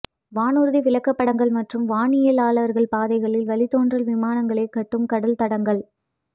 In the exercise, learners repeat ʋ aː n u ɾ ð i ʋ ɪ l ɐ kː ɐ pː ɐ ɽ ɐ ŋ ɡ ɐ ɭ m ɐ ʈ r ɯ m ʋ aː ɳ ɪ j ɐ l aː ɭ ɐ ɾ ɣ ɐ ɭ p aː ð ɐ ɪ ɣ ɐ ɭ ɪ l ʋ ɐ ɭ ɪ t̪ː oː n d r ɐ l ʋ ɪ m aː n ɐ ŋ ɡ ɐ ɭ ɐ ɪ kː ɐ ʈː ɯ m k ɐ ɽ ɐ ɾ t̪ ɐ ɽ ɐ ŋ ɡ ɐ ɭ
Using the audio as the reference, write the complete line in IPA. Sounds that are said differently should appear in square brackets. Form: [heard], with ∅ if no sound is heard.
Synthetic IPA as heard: ʋ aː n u ɾ ð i ʋ ɪ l ɐ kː ɐ pː ɐ ɽ ɐ ŋ ɡ ɐ ɭ m ɐ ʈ r ɯ m ʋ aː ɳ ɪ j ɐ l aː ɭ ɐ ɾ ɣ ɐ ɭ p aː ð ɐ ɪ ɣ ɐ ɭ ɪ l ʋ ɐ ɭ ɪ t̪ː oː n d r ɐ l ʋ ɪ m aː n ɐ ŋ ɡ ɐ ɭ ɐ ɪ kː ɐ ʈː ɯ m k ɐ ɽ ɐ [l] t̪ ɐ ɽ ɐ ŋ ɡ ɐ ɭ